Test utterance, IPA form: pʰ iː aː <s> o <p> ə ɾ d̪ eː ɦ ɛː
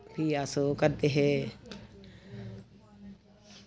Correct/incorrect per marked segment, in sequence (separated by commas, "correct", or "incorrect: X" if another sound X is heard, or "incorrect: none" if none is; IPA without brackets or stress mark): correct, incorrect: k